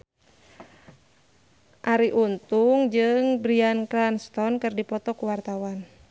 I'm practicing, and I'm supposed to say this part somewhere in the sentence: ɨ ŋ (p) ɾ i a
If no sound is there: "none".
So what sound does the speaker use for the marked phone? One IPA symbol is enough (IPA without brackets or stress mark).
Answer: b